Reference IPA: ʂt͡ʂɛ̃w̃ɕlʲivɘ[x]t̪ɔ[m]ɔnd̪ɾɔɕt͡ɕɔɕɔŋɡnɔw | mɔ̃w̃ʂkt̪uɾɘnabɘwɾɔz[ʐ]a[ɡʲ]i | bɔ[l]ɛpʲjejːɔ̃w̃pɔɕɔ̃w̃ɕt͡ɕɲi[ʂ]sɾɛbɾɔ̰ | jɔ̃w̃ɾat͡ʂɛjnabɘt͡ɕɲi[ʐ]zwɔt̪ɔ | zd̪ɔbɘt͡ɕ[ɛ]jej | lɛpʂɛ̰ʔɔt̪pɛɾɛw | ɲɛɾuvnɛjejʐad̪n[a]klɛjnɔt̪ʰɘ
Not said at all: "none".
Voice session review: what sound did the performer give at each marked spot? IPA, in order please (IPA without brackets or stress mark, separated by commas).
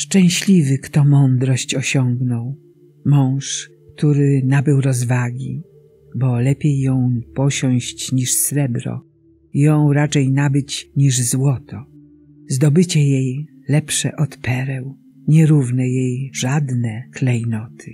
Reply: k, m, v, ɡʲ, l, ʂ, ʐ, ɛ, ɛ